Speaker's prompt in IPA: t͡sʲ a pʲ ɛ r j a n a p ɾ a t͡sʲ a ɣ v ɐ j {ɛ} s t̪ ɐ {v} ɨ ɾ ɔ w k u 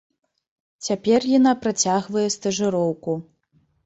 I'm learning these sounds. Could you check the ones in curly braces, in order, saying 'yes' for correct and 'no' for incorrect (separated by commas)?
yes, no